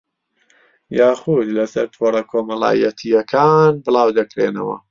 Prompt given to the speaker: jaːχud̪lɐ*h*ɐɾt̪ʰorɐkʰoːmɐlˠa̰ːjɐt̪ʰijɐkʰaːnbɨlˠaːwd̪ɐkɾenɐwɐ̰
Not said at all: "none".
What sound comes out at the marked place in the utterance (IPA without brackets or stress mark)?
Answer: s